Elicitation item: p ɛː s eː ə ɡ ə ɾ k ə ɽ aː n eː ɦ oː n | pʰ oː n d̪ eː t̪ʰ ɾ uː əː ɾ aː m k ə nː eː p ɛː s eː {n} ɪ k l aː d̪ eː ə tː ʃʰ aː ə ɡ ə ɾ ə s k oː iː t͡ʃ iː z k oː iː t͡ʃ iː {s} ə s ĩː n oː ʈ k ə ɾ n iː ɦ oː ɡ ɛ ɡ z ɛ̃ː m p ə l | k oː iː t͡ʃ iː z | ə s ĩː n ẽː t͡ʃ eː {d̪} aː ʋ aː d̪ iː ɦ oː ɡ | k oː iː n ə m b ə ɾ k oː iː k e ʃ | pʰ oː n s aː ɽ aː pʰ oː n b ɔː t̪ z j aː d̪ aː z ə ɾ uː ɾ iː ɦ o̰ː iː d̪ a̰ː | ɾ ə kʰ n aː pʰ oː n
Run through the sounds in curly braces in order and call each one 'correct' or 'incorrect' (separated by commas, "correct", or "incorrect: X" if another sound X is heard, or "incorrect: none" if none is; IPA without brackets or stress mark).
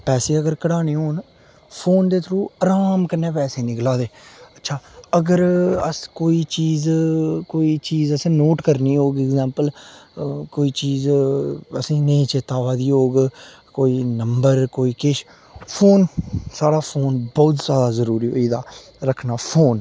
correct, incorrect: z, incorrect: t̪